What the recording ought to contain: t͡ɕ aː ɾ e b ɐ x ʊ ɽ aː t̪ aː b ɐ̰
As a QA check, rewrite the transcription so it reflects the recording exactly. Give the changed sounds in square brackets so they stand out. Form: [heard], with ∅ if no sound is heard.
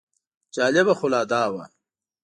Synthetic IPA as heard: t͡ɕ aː [l] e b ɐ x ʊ [l] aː [d̪] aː [w] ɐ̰